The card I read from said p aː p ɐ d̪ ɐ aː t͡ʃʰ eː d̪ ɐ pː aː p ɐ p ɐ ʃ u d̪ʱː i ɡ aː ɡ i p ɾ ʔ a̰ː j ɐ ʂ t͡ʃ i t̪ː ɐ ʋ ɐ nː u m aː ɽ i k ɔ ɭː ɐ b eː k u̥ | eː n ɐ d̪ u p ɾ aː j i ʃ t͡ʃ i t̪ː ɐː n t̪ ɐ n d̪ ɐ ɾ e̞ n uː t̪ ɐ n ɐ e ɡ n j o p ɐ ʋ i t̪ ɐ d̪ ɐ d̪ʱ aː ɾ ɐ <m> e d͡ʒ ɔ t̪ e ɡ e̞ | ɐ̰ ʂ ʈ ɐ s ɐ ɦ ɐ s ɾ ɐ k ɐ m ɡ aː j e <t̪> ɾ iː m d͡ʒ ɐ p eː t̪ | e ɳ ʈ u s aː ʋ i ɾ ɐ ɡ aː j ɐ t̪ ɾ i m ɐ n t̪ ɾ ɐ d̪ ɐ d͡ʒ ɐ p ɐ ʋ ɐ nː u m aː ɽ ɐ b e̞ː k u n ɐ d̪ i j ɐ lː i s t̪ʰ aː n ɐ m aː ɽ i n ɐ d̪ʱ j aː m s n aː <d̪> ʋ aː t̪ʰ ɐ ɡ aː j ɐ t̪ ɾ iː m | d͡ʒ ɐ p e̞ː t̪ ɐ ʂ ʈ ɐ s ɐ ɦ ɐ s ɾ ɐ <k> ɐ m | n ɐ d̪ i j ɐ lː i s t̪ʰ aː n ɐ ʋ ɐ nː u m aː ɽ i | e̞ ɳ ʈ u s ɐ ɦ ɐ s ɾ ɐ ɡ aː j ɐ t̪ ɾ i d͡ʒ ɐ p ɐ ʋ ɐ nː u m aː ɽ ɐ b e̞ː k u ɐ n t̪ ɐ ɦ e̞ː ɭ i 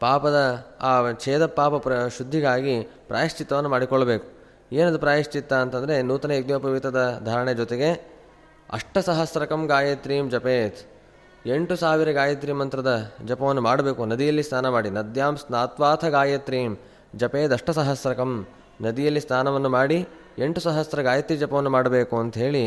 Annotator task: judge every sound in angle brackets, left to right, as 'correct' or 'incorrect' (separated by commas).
incorrect, correct, incorrect, correct